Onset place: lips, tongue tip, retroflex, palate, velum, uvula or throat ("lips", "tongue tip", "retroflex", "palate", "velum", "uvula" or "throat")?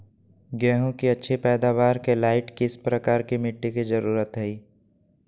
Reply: velum